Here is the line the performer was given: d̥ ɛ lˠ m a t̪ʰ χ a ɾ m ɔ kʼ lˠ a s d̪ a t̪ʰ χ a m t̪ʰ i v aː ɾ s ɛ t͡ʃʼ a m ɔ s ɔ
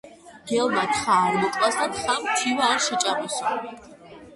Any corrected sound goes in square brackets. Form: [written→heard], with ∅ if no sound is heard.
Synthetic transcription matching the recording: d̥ ɛ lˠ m a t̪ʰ χ a ɾ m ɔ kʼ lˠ a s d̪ a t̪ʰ χ a m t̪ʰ i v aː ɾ [s→ʃ] ɛ t͡ʃʼ a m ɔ s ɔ